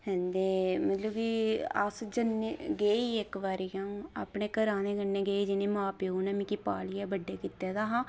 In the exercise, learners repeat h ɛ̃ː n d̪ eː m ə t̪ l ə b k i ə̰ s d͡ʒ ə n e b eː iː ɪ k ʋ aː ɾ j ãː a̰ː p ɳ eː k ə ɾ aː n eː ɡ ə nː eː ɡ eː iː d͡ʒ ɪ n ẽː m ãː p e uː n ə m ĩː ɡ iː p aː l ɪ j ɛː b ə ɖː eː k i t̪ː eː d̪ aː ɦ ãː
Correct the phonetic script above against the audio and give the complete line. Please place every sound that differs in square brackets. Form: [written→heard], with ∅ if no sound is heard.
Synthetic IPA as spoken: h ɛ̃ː n d̪ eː m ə t̪ l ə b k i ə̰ s d͡ʒ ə n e [b→ɡ] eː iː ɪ k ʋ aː ɾ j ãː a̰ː p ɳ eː k ə ɾ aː n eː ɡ ə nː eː ɡ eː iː d͡ʒ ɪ n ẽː m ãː p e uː n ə m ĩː [ɡ→k] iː p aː l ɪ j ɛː b ə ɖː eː k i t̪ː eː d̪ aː ɦ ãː